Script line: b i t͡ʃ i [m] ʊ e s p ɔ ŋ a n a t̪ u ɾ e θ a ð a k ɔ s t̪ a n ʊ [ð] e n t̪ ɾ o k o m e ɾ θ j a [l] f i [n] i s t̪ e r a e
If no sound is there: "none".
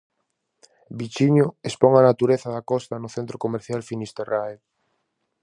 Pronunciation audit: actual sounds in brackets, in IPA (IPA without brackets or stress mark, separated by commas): ɲ, θ, l, n